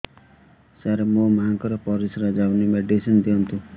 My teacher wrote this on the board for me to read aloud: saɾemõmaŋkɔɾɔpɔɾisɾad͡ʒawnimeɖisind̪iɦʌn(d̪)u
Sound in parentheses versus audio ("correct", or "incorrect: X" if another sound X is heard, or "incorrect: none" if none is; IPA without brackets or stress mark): incorrect: t̪